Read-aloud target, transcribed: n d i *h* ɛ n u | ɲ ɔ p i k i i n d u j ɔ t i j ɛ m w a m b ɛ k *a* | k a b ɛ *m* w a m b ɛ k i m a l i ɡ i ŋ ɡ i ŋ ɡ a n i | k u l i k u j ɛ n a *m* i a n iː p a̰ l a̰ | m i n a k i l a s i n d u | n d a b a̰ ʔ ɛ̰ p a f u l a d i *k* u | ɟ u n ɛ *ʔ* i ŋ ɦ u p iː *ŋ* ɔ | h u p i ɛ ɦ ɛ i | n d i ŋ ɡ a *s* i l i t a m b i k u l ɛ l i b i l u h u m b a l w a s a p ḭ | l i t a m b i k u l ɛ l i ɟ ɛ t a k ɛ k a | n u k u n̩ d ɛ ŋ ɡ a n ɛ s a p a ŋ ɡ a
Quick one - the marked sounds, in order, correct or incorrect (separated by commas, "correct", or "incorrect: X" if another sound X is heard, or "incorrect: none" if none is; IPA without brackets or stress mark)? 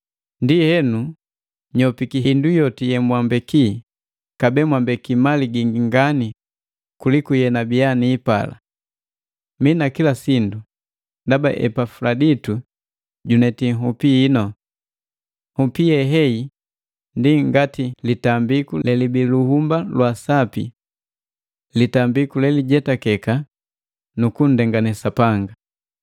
correct, incorrect: i, correct, incorrect: b, incorrect: t, incorrect: t, incorrect: n, incorrect: t